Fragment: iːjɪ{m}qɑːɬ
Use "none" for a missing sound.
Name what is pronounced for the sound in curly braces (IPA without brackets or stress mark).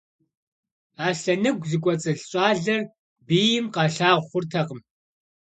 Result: m